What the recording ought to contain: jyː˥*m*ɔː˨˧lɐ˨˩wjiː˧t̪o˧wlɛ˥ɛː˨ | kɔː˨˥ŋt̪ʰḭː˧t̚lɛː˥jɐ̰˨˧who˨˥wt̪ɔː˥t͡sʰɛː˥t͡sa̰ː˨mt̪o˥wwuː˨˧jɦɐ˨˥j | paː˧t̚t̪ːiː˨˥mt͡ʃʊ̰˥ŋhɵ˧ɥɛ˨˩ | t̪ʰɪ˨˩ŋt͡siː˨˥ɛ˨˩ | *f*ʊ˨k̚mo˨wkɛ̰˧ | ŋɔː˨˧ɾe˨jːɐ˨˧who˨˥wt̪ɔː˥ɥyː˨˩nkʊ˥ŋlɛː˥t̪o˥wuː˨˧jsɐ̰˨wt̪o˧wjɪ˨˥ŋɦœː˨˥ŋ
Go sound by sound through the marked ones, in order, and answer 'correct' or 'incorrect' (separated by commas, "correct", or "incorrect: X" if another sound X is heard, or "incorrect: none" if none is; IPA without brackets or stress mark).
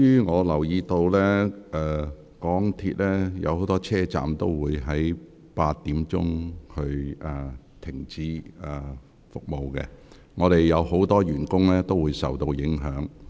incorrect: ŋ, correct